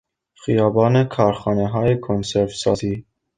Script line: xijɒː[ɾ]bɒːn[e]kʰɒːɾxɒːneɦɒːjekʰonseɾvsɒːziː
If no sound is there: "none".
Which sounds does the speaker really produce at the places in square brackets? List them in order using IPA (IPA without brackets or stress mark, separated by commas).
none, e